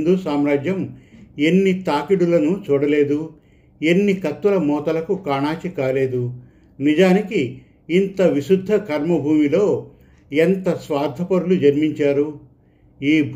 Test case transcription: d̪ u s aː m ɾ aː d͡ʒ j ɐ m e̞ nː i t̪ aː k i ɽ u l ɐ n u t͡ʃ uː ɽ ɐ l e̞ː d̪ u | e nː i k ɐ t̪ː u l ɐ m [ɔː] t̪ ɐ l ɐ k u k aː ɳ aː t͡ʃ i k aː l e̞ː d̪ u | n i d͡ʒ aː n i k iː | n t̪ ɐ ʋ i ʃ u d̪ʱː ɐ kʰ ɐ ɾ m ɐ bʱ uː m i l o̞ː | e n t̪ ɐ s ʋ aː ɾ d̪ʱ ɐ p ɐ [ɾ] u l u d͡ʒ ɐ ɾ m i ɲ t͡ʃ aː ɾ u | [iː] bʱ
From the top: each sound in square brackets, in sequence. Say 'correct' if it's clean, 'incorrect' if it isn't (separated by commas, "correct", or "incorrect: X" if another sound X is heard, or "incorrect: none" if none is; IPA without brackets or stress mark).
correct, correct, correct